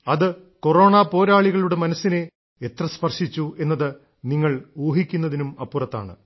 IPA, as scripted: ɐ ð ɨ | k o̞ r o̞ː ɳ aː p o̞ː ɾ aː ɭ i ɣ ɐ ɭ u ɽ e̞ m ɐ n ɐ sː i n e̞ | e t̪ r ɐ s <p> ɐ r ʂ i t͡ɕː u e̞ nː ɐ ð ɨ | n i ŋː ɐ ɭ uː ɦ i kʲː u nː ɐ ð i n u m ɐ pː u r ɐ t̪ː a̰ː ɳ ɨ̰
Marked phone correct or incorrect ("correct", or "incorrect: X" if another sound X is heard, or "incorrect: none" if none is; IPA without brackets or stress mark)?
correct